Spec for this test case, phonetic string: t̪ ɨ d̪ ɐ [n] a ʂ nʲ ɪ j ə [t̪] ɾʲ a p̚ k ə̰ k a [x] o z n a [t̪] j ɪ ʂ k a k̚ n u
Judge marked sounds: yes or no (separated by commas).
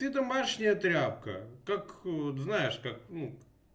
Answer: no, yes, no, no